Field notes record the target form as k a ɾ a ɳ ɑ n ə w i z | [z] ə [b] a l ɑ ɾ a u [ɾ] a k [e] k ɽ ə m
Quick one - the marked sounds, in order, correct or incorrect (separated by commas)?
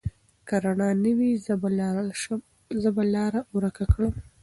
correct, correct, correct, incorrect